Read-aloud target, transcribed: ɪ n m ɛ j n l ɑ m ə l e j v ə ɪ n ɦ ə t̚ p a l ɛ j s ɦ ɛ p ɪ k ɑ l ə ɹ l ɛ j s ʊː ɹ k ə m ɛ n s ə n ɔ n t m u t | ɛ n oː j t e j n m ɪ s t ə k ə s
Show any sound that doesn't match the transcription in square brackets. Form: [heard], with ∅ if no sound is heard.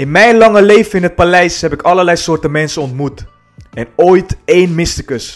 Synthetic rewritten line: ɪ n m ɛ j n l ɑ [ŋ] ə l e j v ə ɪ n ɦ ə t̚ p a l ɛ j s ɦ ɛ p ɪ k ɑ l ə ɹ l ɛ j s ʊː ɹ [t] ə m ɛ n s ə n ɔ n t m u t | ɛ n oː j t e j n m ɪ s t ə k ə s